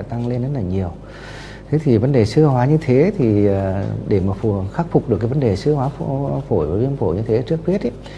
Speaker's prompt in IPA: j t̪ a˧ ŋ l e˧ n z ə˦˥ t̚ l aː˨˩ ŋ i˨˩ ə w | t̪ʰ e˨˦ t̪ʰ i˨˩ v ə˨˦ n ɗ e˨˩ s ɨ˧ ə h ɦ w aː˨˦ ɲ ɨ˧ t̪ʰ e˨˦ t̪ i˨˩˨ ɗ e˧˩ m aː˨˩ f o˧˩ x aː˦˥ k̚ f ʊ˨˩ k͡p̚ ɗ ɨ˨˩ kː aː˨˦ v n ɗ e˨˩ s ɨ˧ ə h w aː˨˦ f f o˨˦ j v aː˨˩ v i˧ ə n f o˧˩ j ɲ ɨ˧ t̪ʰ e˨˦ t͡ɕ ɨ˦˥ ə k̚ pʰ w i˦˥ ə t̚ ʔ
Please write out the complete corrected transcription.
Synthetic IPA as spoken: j t̪ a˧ ŋ l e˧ n z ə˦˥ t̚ l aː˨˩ ɲ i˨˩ ə w | t̪ʰ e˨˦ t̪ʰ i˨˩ v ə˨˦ n ɗ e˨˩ s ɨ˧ ə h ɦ w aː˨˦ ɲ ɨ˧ t̪ʰ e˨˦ t̪ʰ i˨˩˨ ɗ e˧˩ m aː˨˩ f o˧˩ x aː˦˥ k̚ f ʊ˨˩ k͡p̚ ɗ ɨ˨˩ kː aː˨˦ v n ɗ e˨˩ s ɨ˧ ə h w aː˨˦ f f o˧˩ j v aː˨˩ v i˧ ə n f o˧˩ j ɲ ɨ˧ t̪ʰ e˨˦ t͡ɕ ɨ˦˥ ə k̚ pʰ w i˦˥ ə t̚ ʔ

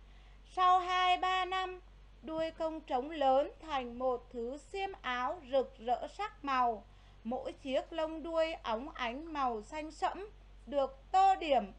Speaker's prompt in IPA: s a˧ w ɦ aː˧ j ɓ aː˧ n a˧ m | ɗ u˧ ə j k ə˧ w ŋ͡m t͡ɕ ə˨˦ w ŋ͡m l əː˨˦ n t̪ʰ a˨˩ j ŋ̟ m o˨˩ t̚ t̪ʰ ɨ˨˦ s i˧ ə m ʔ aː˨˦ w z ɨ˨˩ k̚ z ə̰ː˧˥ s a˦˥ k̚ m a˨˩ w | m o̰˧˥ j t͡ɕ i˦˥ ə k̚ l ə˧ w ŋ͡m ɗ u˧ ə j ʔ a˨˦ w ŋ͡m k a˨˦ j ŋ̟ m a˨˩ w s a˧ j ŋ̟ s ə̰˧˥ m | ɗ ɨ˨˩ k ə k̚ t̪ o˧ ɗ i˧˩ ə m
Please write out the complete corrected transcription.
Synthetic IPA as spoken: s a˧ w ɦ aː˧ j ɓ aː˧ n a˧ m | ɗ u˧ ə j k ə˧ w ŋ͡m t͡ɕ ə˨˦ w ŋ͡m l əː˨˦ n t̪ʰ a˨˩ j ŋ̟ m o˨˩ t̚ t̪ʰ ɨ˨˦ s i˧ ə m ʔ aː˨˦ w z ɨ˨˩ k̚ z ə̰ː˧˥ s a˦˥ k̚ m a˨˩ w | m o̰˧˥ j t͡ɕ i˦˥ ə k̚ l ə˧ w ŋ͡m ɗ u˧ ə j ʔ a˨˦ w ŋ͡m ʔ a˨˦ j ŋ̟ m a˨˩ w s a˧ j ŋ̟ s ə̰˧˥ m | ɗ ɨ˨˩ ə k̚ t̪ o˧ ɗ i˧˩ ə m

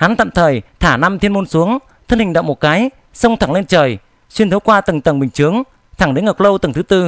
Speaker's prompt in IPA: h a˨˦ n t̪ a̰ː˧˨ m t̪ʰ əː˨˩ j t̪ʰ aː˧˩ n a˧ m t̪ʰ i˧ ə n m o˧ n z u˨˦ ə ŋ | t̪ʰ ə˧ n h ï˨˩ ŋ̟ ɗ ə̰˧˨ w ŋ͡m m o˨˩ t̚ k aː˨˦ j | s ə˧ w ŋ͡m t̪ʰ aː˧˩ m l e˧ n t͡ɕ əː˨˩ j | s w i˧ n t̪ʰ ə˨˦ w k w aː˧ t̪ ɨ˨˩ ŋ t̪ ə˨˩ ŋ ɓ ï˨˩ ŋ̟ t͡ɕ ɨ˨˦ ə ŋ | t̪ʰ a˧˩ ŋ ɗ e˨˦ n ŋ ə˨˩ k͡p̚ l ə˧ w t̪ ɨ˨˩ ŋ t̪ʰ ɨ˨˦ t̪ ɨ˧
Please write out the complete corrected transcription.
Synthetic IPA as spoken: h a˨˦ n t̪ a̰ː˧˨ m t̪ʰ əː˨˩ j t̪ʰ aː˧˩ n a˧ m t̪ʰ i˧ ə n m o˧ n s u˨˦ ə ŋ | t̪ʰ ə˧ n h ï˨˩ ŋ̟ ɗ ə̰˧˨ w ŋ͡m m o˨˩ t̚ k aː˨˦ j | s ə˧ w ŋ͡m t̪ʰ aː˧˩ ŋ l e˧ n t͡ɕ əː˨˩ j | s w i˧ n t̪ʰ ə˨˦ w k w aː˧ t̪ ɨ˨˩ ŋ t̪ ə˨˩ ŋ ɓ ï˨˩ ŋ̟ t͡ɕ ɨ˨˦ ə ŋ | t̪ʰ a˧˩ ŋ ɗ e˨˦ n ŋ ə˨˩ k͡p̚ l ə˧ w t̪ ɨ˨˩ ŋ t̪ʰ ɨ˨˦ t̪ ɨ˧

